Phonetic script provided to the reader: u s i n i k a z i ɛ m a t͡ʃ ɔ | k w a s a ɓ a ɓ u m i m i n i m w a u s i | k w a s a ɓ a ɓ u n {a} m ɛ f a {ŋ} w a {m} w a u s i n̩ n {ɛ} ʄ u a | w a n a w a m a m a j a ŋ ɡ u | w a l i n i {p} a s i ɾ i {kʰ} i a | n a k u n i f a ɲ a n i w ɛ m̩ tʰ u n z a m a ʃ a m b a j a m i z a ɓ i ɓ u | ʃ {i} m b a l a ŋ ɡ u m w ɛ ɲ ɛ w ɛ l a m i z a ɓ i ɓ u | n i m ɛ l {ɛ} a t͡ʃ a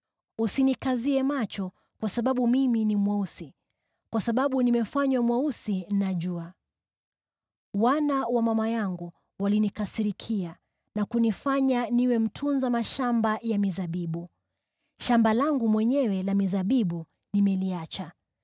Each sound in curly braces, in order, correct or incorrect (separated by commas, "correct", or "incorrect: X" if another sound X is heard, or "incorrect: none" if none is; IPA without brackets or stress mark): incorrect: i, incorrect: ɲ, correct, incorrect: a, incorrect: k, correct, incorrect: a, incorrect: i